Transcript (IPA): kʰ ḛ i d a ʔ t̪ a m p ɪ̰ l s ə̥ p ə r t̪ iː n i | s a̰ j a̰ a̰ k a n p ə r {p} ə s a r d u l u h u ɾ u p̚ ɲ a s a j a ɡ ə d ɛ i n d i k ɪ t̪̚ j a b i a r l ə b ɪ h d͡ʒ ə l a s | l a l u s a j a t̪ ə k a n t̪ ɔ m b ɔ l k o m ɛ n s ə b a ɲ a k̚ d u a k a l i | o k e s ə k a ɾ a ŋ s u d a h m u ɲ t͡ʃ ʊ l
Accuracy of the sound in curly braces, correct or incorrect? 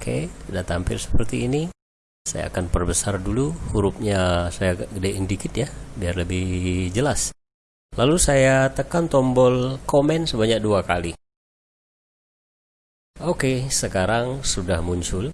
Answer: incorrect